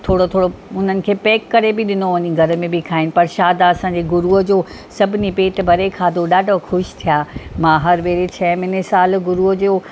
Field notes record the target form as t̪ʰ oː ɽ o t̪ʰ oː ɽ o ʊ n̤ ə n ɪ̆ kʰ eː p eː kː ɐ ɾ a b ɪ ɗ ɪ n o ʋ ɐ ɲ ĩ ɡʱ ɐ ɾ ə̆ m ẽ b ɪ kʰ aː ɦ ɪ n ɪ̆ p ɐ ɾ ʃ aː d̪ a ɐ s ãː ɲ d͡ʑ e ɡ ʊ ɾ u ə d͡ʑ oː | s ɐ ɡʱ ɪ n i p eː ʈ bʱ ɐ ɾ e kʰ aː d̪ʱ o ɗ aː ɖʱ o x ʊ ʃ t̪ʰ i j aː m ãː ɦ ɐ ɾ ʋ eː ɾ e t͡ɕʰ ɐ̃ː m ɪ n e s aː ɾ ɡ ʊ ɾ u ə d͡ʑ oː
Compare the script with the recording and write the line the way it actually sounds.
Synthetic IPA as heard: t̪ʰ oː ɽ o t̪ʰ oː ɽ o ʊ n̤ ə n ɪ̆ kʰ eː p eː kː ɐ ɾ e b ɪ ɗ ɪ n o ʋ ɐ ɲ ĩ ɡʱ ɐ ɾ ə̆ m ẽ b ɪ kʰ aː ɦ ɪ n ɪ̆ p ɐ ɾ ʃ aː d̪ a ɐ s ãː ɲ d͡ʑ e ɡ ʊ ɾ u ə d͡ʑ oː | s ɐ bʱ ɪ n i p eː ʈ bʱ ɐ ɾ e kʰ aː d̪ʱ o ɗ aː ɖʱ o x ʊ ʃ t̪ʰ i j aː m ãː ɦ ɐ ɾ ʋ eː ɾ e t͡ɕʰ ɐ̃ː m ɪ n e s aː l ɡ ʊ ɾ u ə d͡ʑ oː